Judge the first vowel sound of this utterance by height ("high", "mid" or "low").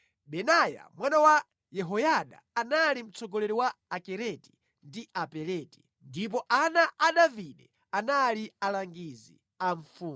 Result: mid